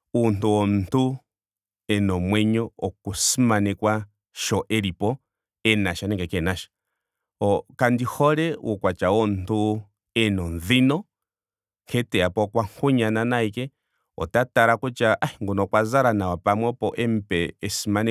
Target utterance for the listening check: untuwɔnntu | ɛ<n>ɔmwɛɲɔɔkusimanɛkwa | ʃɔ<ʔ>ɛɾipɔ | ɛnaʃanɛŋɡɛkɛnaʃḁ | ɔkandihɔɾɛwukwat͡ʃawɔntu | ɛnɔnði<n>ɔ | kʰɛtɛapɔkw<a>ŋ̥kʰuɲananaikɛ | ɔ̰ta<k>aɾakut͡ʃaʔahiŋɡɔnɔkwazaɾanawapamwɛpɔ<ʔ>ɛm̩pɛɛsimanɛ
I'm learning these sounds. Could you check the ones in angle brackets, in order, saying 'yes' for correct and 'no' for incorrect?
yes, yes, yes, yes, no, yes

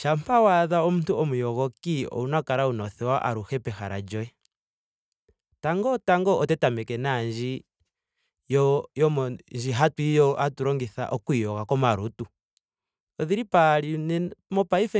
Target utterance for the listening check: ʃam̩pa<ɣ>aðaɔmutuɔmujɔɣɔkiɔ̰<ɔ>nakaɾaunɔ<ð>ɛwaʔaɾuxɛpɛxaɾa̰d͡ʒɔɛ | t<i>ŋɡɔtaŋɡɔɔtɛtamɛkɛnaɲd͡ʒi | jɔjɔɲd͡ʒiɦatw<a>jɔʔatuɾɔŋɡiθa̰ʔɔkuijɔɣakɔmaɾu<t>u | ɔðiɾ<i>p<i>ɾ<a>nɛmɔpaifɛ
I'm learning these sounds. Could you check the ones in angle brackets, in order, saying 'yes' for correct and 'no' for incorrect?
no, no, no, no, no, yes, yes, no, no

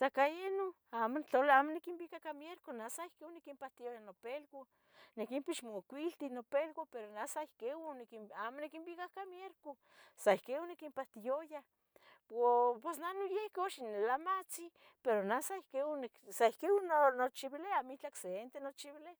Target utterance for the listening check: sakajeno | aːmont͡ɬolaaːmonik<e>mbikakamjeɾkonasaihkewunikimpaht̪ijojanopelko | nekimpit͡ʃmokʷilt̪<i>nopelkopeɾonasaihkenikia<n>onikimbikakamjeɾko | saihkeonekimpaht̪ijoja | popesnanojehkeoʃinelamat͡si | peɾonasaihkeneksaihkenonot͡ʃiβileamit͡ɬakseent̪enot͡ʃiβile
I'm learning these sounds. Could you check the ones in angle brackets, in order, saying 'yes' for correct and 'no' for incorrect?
no, yes, no

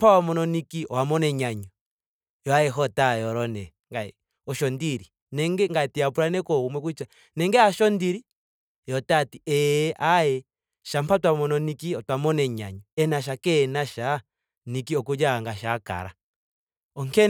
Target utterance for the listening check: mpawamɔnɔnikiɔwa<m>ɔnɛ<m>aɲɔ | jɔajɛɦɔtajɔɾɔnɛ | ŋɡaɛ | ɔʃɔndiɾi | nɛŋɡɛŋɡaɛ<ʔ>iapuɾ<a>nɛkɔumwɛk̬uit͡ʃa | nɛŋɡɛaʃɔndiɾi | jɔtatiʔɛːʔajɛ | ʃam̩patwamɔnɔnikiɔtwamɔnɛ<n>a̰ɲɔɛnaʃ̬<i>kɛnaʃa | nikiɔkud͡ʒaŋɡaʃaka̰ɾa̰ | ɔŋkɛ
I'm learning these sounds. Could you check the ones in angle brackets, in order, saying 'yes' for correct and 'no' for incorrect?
yes, no, no, yes, no, no

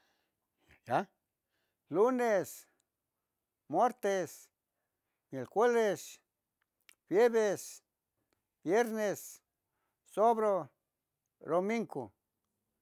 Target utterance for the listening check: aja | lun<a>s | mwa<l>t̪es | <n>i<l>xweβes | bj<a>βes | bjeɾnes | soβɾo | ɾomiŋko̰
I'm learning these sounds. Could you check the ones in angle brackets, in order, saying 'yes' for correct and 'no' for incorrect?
no, no, no, yes, no

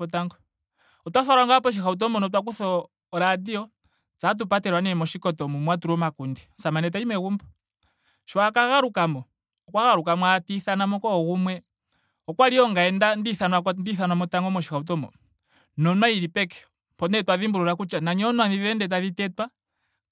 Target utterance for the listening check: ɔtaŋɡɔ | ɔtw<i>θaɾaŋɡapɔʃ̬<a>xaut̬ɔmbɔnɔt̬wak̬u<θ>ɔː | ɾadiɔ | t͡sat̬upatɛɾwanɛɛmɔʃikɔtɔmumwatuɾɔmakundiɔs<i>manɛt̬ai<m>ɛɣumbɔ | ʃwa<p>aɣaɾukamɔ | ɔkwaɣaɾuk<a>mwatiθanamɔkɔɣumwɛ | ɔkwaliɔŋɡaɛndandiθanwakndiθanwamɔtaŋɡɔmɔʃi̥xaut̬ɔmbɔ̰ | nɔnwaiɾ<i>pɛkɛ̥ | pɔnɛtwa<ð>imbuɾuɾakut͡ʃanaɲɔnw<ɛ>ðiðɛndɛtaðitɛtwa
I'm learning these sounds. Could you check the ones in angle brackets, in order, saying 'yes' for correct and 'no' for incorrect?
no, no, yes, no, yes, no, yes, yes, yes, no

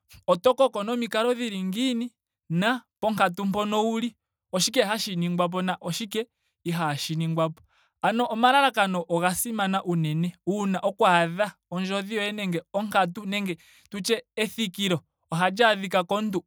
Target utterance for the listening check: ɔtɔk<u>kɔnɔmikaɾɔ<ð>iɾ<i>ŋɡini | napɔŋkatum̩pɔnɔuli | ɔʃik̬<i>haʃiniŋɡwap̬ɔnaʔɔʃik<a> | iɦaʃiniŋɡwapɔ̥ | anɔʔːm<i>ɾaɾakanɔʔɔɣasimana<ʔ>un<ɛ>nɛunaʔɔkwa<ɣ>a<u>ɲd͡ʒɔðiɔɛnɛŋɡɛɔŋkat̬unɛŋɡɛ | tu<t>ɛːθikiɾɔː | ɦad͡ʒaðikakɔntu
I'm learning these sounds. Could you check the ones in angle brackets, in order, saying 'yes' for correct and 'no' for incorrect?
no, yes, yes, no, no, no, yes, yes, no, no, no

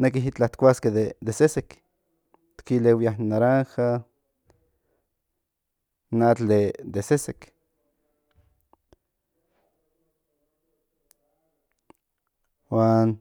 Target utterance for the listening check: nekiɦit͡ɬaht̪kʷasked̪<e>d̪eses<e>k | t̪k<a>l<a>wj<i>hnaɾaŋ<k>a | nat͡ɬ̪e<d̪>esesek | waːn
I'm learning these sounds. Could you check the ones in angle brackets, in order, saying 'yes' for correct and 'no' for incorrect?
yes, yes, no, no, no, no, yes

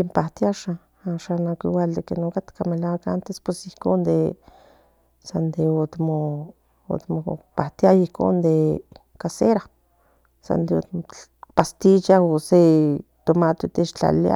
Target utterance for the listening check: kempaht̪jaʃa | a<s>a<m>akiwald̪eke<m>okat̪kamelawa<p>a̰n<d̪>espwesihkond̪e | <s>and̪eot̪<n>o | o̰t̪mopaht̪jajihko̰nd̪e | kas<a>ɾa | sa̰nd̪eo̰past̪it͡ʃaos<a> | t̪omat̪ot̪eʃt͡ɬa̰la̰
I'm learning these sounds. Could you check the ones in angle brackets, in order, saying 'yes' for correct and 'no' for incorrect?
no, no, no, no, no, yes, no, no, no

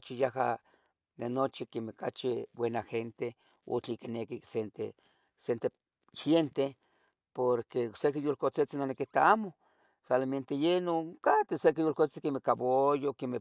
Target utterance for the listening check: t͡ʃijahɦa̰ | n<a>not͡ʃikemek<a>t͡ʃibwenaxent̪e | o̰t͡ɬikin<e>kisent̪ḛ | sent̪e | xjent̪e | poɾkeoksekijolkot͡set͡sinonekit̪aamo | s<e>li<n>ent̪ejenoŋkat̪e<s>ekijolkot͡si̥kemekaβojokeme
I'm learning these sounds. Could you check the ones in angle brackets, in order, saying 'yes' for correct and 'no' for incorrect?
no, yes, yes, no, no, yes

